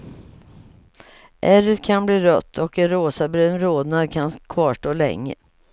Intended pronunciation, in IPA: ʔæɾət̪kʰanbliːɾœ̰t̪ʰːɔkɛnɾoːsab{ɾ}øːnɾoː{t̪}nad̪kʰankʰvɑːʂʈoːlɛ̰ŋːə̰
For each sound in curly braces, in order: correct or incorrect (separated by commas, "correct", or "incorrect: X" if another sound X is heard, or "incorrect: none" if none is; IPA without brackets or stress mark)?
correct, incorrect: d̪